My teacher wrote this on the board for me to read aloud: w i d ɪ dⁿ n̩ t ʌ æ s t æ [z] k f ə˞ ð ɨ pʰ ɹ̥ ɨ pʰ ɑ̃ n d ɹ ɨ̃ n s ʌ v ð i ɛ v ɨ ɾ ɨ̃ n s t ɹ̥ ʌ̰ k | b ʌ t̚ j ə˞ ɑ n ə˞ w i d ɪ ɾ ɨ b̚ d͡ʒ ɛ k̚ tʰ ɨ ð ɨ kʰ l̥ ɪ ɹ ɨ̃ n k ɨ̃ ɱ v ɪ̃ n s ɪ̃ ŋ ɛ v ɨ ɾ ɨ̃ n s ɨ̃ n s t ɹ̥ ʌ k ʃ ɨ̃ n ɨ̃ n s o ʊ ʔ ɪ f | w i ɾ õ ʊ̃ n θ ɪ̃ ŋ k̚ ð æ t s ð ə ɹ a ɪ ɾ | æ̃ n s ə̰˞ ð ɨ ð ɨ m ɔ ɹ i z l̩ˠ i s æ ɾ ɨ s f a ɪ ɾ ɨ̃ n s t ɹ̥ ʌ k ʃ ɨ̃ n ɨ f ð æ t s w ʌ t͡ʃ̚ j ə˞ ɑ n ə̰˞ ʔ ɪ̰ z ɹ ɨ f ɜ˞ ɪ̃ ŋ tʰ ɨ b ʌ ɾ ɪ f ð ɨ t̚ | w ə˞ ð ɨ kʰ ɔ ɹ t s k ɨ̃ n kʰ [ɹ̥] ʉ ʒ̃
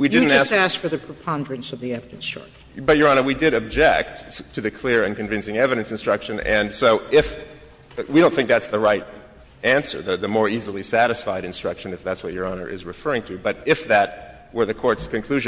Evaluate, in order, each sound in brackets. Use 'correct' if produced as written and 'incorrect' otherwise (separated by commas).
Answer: incorrect, incorrect